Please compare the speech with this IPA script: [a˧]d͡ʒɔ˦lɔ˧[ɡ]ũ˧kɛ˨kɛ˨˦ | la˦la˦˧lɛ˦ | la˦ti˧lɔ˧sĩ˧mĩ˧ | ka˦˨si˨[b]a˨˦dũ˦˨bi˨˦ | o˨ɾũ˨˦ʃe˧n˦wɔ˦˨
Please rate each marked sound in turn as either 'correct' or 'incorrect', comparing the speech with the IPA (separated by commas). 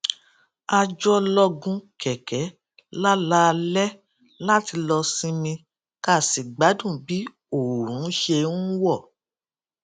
correct, correct, incorrect